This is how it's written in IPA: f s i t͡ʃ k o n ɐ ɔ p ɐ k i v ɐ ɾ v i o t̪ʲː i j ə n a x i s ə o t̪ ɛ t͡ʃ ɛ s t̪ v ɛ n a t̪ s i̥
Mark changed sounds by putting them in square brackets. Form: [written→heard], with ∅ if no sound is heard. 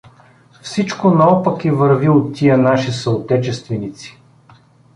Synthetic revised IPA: f s i t͡ʃ k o n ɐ ɔ p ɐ k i v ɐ ɾ v i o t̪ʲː i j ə n a [x→ʃ] i s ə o t̪ ɛ t͡ʃ ɛ s t̪ v ɛ n [a→i] t̪ s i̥